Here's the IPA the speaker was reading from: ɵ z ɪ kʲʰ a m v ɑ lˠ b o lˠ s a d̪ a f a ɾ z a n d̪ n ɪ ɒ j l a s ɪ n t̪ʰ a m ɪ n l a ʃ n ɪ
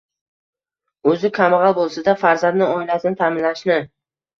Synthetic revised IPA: ɵ z ɪ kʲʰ a m ʁ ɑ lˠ b o lˠ s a d̪ a f a ɾ z a n d̪ n ɪ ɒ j l a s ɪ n t̪ʰ a m ɪ n l a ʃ n ɪ